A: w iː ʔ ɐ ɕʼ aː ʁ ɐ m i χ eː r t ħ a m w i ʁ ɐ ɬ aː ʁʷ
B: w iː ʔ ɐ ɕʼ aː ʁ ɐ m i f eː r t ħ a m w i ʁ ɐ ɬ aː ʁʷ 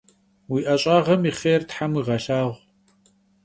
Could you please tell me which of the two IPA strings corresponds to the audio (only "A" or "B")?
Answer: A